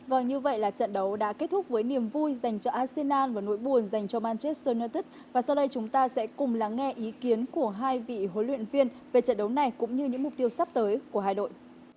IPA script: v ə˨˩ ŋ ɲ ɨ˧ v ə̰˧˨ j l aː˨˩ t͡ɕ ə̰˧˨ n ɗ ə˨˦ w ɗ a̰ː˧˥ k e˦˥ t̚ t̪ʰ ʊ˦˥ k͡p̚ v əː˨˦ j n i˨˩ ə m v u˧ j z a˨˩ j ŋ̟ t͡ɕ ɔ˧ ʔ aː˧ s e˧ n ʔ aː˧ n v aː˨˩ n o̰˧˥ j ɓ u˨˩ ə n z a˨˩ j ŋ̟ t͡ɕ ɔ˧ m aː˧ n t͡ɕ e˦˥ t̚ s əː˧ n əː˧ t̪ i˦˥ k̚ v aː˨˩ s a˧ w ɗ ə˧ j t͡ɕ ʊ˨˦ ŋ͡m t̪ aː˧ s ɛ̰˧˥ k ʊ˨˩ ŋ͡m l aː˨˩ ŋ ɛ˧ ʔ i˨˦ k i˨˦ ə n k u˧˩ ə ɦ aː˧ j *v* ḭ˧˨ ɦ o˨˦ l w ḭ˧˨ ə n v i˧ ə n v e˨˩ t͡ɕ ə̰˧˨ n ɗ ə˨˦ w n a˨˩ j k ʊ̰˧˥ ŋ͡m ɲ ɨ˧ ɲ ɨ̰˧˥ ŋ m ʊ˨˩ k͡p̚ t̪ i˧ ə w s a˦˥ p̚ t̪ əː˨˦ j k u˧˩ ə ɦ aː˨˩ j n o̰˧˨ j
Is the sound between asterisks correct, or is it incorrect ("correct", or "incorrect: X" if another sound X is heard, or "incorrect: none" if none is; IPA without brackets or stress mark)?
correct